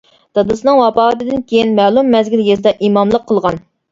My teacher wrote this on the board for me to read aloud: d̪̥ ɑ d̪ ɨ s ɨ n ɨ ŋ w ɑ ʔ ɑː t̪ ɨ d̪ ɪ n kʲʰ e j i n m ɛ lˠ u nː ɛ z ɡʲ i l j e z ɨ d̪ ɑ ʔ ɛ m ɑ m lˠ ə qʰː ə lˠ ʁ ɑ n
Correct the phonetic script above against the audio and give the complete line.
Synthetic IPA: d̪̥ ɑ d̪ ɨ s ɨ n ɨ ŋ w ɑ p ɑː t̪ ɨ d̪ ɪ n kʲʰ e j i n m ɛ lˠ u mː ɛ z ɡʲ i l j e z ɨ d̪ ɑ ʔ i m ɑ m lˠ ə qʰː ə lˠ ʁ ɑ n